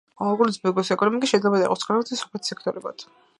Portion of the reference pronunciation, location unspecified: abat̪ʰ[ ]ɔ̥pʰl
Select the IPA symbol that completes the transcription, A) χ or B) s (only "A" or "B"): B